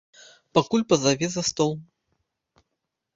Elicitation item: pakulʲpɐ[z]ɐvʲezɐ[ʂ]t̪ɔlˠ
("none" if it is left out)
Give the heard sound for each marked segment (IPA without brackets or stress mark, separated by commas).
z, s